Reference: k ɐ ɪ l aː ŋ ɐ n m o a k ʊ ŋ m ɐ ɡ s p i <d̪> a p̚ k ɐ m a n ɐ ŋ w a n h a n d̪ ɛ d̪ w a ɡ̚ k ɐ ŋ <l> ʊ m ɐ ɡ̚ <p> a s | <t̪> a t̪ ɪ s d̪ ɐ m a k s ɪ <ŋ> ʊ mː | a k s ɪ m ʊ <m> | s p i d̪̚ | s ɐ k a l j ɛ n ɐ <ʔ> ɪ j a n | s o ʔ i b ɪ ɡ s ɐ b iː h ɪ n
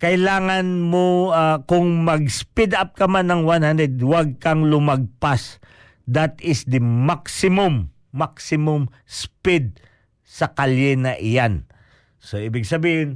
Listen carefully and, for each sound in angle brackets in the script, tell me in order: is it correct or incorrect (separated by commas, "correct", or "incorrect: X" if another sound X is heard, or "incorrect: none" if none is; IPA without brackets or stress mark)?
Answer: correct, correct, correct, incorrect: d̪, incorrect: m, correct, correct